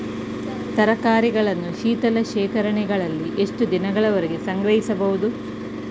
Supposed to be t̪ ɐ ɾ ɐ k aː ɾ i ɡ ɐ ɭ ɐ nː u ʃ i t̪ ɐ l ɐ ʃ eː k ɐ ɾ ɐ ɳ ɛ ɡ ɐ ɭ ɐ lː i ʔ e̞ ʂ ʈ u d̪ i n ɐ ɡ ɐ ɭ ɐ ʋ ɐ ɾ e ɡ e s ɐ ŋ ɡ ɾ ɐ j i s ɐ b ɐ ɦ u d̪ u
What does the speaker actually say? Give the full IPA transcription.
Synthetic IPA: t̪ ɐ ɾ ɐ k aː ɾ i ɡ ɐ ɭ ɐ nː u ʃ iː t̪ ɐ l ɐ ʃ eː k ɐ ɾ ɐ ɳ ɛ ɡ ɐ ɭ ɐ lː i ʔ e̞ ʂ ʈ u d̪ i n ɐ ɡ ɐ ɭ ɐ ʋ ɐ ɾ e ɡ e s ɐ ŋ ɡ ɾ ɐ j i s ɐ b ɐ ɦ u d̪ u